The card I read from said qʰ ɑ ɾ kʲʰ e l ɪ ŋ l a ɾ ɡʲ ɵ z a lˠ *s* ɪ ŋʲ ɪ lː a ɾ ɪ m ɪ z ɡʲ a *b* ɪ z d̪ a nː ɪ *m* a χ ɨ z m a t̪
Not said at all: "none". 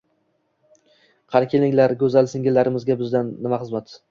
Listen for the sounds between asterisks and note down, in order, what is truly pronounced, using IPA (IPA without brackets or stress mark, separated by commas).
s, b, m